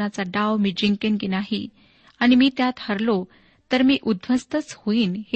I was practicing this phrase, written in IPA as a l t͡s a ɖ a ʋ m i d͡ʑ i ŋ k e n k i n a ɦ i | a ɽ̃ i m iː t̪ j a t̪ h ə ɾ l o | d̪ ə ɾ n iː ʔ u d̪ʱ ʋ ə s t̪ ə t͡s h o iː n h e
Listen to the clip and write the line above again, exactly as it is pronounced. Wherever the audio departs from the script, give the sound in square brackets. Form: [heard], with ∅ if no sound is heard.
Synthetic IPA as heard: a [∅] t͡s a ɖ a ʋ m i d͡ʑ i ŋ k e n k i n a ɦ i | a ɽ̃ i m iː t̪ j a t̪ h ə ɾ l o | [t̪] ə ɾ [m] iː ʔ u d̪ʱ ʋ ə s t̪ ə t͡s h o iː n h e